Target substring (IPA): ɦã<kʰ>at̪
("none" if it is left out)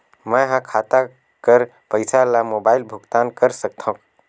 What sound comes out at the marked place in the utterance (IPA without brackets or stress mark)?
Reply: kʰ